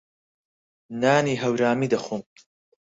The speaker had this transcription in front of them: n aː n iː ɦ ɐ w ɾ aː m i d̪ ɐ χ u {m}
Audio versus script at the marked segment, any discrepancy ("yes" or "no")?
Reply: no